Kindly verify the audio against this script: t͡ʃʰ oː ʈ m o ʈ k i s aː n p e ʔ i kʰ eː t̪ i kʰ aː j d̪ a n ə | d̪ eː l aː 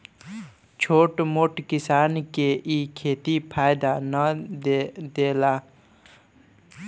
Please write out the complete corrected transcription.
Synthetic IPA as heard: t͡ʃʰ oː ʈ m o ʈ k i s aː n k e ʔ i kʰ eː t̪ i pʰ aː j d̪ a n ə | d̪ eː l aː